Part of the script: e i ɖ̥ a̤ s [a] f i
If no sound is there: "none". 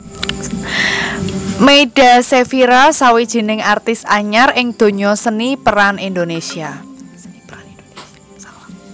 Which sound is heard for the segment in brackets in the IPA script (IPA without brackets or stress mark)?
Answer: e